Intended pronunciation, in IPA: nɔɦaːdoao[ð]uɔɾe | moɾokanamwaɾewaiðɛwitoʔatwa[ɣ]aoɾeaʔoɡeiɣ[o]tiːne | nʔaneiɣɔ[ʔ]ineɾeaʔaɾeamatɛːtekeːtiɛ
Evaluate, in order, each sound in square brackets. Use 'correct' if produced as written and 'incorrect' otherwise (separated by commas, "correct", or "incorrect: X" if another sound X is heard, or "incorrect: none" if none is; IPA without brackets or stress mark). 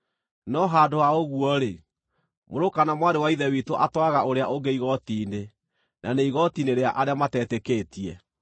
incorrect: ɣ, correct, incorrect: ɔ, incorrect: t